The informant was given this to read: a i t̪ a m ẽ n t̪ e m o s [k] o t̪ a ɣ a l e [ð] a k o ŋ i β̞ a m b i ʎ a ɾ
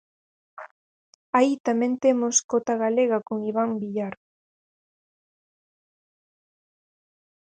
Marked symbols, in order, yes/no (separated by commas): yes, no